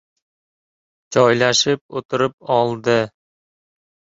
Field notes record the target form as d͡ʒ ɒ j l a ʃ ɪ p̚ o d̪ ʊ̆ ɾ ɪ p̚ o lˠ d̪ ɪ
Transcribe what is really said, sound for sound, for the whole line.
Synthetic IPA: d͡ʒ ɒ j l a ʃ ɪ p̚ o t̪ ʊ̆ ɾ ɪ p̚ ɒ lˠ d̪ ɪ

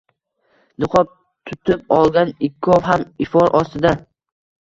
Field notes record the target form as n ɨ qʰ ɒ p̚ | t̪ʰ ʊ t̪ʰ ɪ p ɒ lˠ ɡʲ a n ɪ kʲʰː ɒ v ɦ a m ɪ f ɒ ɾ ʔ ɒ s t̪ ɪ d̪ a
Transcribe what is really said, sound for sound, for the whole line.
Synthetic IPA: n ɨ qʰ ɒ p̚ | t̪ʰ ʊ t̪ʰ ɪ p ɒ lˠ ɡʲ a n ɪ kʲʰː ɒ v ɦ a m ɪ f ɒ ɾ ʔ ɒ s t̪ ɪ d̪ a

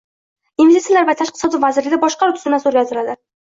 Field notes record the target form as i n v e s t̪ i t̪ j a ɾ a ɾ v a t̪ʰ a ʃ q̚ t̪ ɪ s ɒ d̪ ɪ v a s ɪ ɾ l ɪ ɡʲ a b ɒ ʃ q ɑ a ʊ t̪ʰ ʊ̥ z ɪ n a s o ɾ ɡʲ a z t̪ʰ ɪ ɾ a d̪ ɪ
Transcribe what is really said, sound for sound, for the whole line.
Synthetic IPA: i n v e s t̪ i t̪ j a l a ɾ v a t̪ʰ a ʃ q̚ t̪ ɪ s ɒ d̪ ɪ v a z ɪ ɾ l ɪ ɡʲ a b ɒ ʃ q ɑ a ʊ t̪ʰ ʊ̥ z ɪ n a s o ɾ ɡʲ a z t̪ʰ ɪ ɾ a d̪ ɪ

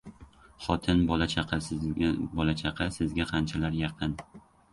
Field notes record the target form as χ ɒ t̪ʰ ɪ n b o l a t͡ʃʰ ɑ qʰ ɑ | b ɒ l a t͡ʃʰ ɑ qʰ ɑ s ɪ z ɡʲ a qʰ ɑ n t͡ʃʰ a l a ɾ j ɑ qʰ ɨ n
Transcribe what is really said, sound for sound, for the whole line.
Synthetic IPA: χ ɒ t̪ʰ ɪ n b ɒ l a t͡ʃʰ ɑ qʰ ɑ | b ɒ l a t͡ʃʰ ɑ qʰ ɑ s ɪ z ɡʲ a qʰ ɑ n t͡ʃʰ a l a ɾ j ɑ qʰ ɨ n

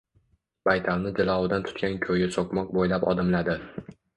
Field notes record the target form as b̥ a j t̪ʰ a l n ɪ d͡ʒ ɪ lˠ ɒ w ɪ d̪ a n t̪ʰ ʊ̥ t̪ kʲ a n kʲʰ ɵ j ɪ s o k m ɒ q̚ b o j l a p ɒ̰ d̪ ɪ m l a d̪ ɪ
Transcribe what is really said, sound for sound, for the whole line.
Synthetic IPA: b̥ a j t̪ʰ a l n ɪ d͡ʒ ɪ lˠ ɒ w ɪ d̪ a n t̪ʰ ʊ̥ t̪ kʲ a n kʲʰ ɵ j ɪ s o k m ɒ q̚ b o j l a p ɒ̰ d̪ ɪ m l a d̪ ɪ

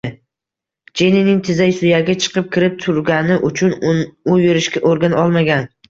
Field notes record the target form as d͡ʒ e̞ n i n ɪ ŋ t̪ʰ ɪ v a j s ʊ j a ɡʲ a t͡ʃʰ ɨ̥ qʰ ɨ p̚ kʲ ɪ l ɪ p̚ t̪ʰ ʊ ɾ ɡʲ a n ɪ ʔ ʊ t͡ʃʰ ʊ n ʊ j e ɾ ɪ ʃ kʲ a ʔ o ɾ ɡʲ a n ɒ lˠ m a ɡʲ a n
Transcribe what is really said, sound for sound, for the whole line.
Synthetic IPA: d͡ʒ e̞ n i n ɪ ŋ t̪ʰ ɪ z a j s ʊ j a ɡʲ a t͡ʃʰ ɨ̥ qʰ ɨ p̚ kʲ ɪ ɾ ɪ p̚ t̪ʰ ʊ ɾ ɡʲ a n ɪ ʔ ʊ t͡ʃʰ ʊ n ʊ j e ɾ ɪ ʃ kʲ a ʔ o ɾ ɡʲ a n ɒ lˠ m a ɡʲ a n

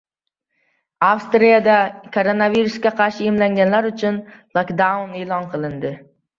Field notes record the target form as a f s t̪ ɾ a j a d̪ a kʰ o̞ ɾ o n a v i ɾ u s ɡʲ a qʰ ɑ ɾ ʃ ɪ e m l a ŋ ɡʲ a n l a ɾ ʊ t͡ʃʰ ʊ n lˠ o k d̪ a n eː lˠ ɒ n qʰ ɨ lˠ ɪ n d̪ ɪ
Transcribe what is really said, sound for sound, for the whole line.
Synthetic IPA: a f s t̪ ɾ i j a d̪ a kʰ o̞ ɾ o n a v i ɾ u s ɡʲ a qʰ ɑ ɾ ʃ ɪ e m l a ŋ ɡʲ a n l a ɾ ʊ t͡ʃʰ ʊ n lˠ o k d̪ a n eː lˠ ɒ n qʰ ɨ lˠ ɪ n d̪ ɪ

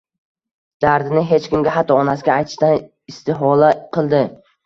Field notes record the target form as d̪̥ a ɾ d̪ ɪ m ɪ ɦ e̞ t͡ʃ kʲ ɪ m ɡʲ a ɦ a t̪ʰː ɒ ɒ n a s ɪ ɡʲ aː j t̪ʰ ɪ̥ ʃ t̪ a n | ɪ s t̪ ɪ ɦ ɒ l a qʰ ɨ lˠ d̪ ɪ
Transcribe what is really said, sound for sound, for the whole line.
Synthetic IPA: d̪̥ a ɾ d̪ ɪ n ɪ ɦ e̞ t͡ʃ kʲ ɪ m ɡʲ a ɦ a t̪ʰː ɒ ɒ n a s ɪ ɡʲ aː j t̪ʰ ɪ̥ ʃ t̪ a n | ɪ s t̪ ɪ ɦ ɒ l a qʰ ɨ lˠ d̪ ɪ

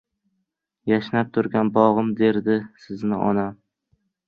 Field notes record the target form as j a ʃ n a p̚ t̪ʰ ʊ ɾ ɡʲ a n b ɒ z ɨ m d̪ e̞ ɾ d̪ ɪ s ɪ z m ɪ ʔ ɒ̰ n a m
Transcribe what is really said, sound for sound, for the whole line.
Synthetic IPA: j a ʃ n a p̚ t̪ʰ ʊ ɾ ɡʲ a n b ɒ ʁ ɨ m d̪ e̞ ɾ d̪ ɪ s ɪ z n ɪ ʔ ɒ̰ n a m

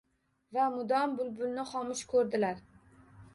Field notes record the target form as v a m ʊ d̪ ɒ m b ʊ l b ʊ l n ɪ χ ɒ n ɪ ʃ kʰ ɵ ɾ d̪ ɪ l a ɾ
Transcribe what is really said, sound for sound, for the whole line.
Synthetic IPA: v a m ʊ d̪ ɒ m b ʊ l b ʊ l n ɪ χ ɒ m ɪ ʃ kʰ ɵ ɾ d̪ ɪ l a ɾ

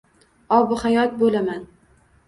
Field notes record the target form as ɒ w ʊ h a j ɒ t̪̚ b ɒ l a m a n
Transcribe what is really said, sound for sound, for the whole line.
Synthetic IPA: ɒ b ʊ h a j ɒ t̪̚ b o l a m a n

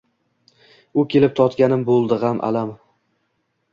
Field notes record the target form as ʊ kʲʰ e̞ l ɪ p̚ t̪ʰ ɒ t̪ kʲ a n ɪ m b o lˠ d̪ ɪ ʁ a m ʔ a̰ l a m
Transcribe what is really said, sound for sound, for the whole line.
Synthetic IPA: ʊ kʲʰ e̞ l ɪ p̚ t̪ʰ ɒ t̪ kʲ a n ɪ m b o lˠ d̪ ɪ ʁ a m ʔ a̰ l a m

